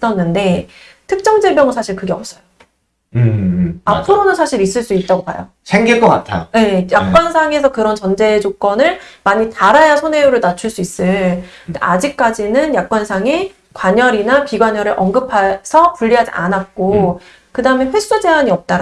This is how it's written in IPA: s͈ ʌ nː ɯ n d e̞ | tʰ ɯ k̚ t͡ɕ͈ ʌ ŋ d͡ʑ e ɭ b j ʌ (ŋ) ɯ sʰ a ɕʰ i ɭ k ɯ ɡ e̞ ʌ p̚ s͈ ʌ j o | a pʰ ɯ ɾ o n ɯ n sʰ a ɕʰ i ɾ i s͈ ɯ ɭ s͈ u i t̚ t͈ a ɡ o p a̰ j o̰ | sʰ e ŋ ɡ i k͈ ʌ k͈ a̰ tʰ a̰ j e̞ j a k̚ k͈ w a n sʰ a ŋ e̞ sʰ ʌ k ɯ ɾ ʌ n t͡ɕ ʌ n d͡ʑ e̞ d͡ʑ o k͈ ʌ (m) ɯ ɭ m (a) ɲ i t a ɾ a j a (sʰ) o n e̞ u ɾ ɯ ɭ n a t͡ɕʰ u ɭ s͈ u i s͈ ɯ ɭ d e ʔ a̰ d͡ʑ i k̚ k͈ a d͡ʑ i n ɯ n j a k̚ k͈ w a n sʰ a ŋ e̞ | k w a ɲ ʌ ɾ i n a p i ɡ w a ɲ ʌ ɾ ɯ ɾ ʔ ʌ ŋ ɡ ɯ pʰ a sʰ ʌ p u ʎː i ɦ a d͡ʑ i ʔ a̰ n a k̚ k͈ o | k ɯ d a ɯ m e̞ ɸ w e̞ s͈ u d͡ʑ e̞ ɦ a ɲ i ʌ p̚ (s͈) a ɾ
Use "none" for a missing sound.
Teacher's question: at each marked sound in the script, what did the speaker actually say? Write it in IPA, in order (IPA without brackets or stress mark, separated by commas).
ŋ, n, a, sʰ, t͈